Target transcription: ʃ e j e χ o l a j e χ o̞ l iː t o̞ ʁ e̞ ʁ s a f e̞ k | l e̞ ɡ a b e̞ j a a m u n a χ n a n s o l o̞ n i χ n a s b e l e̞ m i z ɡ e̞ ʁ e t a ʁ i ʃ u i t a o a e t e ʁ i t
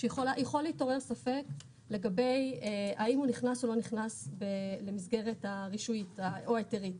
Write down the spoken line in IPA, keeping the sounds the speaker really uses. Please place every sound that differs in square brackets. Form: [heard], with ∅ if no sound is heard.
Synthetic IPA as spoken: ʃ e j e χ o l a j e χ o̞ l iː t o̞ ʁ e̞ ʁ s a f e̞ k | l e̞ ɡ a b e̞ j a [i] m u n [i] χ n a [∅] s o l o̞ n i χ n a s b e l e̞ m i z ɡ e̞ ʁ e t a ʁ i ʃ u i t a o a e t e ʁ i t

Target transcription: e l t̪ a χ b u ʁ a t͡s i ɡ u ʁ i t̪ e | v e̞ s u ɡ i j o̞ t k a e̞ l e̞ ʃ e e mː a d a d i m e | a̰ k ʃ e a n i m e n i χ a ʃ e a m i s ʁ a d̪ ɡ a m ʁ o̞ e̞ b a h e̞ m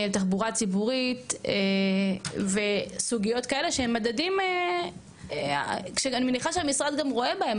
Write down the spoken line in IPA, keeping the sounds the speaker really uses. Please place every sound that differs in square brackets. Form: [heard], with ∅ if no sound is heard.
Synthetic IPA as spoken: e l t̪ a χ b u ʁ a t͡s i [b] u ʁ i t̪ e | v e̞ s u ɡ i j o̞ t k a e̞ l e̞ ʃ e e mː a d a d i m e | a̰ k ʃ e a n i m e n i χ a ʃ e a m i s ʁ a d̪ ɡ a m ʁ o̞ e̞ b a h e̞ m

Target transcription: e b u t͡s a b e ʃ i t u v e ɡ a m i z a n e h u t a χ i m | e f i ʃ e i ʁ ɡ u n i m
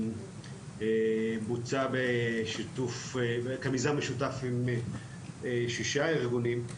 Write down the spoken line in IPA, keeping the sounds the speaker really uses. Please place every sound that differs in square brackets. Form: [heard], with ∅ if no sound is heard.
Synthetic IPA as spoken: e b u t͡s a b e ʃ i t u [f] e [k] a m i z a [m] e [ʃ] u t a [f] i m | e [ʃ] i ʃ [a] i ʁ ɡ u n i m

